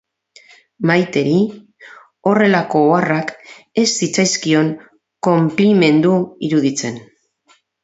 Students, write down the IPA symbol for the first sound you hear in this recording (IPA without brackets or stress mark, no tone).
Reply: m